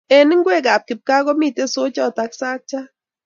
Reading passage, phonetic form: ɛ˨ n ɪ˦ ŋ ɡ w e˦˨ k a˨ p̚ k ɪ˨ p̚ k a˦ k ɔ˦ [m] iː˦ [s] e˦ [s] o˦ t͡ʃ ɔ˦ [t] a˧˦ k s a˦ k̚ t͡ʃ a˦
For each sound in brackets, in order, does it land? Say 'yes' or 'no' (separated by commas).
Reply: yes, no, yes, yes